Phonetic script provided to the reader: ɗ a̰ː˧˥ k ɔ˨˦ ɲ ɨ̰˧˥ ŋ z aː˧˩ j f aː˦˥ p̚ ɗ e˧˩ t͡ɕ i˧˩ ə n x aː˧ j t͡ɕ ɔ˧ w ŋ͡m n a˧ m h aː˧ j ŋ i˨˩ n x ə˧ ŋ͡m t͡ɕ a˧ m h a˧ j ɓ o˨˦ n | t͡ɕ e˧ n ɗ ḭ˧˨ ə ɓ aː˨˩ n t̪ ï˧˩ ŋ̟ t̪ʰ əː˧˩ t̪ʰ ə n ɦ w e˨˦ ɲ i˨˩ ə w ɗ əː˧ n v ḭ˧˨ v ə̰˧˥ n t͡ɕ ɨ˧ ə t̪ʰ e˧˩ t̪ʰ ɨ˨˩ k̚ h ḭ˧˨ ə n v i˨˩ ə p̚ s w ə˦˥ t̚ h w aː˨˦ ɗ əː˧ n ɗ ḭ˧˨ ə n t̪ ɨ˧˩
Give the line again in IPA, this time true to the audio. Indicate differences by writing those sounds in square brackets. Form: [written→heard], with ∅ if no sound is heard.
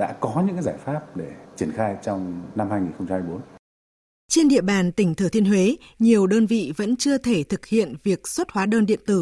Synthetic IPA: ɗ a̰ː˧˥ k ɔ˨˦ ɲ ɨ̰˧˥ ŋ z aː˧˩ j f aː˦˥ p̚ ɗ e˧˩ t͡ɕ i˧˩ ə n x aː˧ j t͡ɕ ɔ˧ w ŋ͡m n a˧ m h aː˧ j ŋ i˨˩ n x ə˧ ŋ͡m t͡ɕ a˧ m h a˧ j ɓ o˨˦ n | t͡ɕ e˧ n ɗ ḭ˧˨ ə ɓ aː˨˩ n t̪ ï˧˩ ŋ̟ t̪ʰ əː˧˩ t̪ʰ ə n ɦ w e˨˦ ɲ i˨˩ ə w ɗ əː˧ n v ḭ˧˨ v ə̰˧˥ n t͡ɕ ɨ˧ ə t̪ʰ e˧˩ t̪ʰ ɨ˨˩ k̚ h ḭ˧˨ ə n v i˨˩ ə [p̚→k̚] s w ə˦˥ t̚ h w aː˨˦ ɗ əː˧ n ɗ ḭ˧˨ ə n t̪ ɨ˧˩